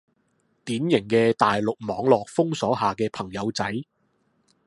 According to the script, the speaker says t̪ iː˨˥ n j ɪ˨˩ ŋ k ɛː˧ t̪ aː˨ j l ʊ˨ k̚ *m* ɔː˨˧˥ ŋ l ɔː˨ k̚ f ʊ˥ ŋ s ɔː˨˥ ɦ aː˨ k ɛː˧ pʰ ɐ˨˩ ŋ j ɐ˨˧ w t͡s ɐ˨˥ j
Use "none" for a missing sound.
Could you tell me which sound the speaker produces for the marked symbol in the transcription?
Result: m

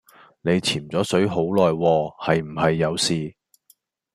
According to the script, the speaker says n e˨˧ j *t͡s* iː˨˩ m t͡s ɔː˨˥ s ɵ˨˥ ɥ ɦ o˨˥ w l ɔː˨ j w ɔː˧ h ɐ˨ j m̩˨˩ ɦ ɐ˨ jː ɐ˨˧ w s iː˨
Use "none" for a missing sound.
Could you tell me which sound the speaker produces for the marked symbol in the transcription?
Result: t͡sʰ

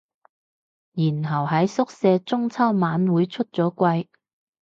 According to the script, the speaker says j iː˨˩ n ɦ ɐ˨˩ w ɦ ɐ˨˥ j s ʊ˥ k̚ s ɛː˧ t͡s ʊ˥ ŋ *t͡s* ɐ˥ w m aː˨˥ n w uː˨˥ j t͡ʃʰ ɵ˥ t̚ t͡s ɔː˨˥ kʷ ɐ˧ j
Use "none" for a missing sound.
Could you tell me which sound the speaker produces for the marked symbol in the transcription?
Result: t͡sʰ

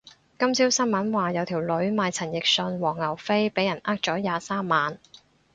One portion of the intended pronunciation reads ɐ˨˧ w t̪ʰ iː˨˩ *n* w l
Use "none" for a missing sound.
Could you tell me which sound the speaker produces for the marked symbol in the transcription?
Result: none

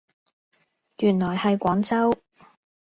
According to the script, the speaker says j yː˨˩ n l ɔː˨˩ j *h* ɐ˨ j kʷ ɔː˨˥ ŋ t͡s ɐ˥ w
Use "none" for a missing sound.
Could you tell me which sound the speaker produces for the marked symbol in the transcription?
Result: h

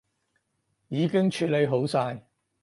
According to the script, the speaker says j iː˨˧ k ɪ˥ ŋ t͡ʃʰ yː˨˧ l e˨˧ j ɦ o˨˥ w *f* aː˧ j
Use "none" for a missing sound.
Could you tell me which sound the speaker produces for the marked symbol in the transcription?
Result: s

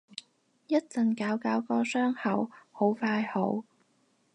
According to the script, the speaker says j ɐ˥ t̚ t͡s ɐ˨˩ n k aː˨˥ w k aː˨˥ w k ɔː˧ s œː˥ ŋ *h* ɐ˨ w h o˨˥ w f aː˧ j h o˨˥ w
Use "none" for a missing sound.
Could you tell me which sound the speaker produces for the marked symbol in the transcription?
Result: h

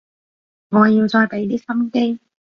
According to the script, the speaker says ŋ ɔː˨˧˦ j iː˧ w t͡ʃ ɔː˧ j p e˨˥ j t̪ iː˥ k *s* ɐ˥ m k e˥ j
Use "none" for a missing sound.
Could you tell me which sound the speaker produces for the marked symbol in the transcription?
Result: s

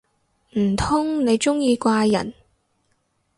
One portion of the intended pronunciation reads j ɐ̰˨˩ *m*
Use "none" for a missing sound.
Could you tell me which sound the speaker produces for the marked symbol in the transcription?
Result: n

